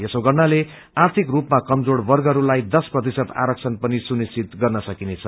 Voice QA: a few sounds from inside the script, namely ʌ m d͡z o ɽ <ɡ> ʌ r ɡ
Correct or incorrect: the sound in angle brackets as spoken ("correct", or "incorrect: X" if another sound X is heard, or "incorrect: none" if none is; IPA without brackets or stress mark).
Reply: incorrect: b